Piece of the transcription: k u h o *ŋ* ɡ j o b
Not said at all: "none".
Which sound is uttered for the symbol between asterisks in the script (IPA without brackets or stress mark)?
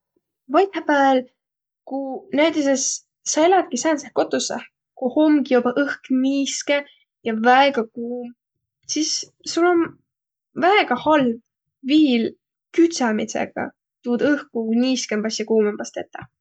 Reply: m